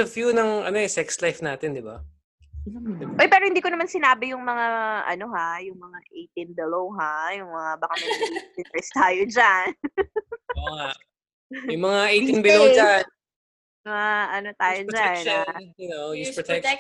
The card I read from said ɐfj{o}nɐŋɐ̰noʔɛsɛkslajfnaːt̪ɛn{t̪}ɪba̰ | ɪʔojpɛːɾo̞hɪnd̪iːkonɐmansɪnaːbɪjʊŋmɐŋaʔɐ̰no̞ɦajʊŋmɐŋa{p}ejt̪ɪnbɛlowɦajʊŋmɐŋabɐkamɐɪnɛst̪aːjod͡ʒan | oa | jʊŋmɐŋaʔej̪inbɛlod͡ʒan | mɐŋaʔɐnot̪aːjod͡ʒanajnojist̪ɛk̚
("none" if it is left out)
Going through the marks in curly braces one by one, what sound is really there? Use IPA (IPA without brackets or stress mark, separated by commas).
u, d̪, ʔ